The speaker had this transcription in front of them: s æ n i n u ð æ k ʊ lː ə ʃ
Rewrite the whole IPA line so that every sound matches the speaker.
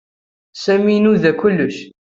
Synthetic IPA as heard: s æ m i n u ð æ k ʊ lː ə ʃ